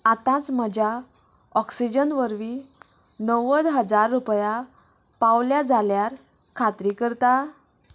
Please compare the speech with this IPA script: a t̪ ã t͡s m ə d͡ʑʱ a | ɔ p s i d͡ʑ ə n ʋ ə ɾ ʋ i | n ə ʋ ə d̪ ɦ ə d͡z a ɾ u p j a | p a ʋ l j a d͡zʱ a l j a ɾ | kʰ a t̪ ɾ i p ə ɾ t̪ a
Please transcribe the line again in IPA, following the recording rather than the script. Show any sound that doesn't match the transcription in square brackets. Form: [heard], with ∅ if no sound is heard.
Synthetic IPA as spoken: a t̪ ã t͡s m ə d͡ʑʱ a | ɔ [k] s i d͡ʑ ə n ʋ ə ɾ ʋ i | n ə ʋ ə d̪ ɦ ə d͡z a [ɾː] u p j a | p a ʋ l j a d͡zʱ a l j a ɾ | kʰ a t̪ ɾ i [k] ə ɾ t̪ a